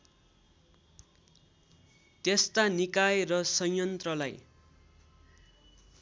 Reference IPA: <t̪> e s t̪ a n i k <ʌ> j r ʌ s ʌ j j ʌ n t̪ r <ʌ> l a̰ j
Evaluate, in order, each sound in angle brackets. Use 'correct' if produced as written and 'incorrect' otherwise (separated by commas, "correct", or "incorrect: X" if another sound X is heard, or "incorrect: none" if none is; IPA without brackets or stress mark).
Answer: correct, incorrect: a, correct